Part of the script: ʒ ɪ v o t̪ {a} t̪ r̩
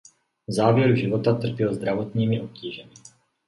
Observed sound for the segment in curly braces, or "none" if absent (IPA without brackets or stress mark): a